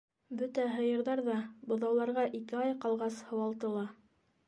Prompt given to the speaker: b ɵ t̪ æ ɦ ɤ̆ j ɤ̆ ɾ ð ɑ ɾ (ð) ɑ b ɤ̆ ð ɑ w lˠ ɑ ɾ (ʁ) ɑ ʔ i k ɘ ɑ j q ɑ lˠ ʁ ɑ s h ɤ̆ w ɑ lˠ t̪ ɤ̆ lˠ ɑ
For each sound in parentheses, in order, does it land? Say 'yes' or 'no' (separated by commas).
yes, yes